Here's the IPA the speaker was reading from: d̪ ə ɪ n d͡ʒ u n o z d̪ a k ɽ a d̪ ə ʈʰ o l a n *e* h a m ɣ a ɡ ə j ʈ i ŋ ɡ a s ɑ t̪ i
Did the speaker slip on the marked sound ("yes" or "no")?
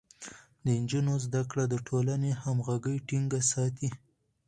no